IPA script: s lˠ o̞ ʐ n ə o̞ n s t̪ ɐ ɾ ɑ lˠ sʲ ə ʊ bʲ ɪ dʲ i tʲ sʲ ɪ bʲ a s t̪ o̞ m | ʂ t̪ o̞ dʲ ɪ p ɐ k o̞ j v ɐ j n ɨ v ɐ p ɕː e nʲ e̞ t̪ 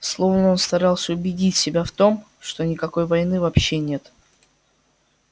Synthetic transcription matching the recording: s lˠ o̞ v n ə o̞ n s t̪ ɐ ɾ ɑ lˠ sʲ ə ʊ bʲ ɪ dʲ i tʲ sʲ ɪ bʲ a f t̪ o̞ m | ʂ t̪ o̞ nʲ ɪ k ɐ k o̞ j v ɐ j n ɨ v ɐ p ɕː e nʲ e̞ t̪